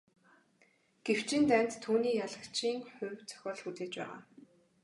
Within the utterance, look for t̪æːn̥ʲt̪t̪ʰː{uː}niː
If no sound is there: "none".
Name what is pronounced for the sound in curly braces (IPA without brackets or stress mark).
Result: uː